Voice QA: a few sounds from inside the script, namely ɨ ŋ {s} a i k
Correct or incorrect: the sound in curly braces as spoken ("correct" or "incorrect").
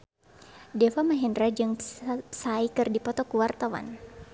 correct